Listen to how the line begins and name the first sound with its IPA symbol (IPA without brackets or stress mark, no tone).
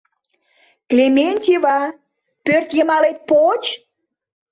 k